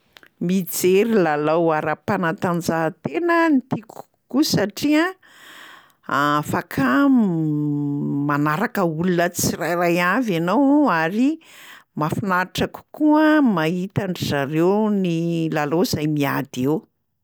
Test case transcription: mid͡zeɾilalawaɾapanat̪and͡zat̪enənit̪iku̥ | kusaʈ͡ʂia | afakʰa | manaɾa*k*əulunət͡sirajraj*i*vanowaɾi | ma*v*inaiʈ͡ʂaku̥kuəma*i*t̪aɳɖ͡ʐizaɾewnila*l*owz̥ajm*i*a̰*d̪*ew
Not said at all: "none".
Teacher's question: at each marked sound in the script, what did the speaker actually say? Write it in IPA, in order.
k, a, f, i, l, i, d̪

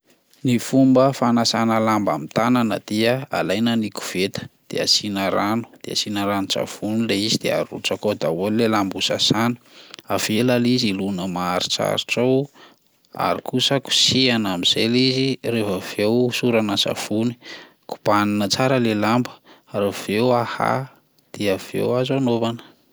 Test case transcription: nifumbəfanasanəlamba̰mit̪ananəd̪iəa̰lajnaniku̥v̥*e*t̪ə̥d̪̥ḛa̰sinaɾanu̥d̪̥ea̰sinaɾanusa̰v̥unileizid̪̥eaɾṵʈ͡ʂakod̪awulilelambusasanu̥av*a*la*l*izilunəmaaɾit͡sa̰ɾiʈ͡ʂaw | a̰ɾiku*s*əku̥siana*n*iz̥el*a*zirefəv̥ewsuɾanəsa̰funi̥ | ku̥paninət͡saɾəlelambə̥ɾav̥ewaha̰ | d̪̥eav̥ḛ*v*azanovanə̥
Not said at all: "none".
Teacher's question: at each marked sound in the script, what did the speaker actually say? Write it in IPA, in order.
e, e, l, s, m, i, w

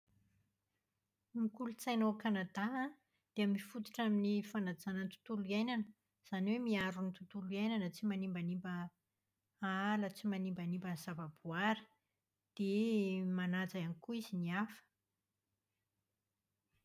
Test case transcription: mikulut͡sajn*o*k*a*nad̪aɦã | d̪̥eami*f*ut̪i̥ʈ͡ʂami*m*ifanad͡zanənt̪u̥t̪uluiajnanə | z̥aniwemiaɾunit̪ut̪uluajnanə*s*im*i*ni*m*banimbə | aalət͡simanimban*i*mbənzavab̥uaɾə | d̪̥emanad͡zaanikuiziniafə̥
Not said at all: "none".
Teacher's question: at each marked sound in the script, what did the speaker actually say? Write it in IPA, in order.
o, a, f, n, t͡s, a, m, i

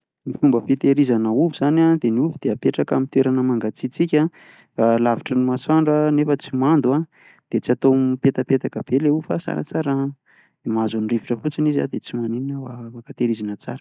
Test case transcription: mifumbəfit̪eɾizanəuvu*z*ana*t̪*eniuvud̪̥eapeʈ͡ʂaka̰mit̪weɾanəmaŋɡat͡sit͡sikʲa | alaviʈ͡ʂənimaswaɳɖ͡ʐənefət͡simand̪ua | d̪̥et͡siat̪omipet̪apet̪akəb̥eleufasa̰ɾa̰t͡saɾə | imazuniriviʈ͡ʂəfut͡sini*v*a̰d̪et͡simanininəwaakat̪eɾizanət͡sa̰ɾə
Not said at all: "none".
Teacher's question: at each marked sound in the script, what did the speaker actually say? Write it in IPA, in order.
z, d̪, z

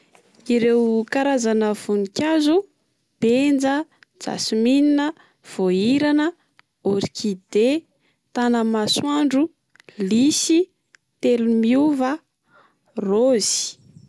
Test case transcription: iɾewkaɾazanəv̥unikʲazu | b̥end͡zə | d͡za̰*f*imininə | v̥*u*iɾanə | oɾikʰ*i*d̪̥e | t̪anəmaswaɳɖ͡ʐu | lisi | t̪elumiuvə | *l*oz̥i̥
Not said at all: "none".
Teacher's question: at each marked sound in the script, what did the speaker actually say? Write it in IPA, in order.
s, o, i, r

